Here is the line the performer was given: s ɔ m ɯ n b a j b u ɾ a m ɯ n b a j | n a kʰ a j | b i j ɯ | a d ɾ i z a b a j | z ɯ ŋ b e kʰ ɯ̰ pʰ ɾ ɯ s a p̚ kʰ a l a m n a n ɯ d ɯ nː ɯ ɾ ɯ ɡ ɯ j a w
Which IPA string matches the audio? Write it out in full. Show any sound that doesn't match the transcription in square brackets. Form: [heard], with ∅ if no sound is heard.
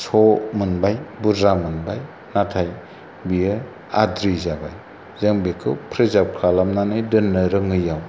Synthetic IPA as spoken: s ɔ m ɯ n b a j b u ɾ a m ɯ n b a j | n a [tʰ] a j | b i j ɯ | a d ɾ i z a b a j | z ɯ ŋ b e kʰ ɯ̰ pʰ ɾ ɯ [z] a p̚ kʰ a l a m n a n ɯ d ɯ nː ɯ ɾ ɯ [ŋ] ɯ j a w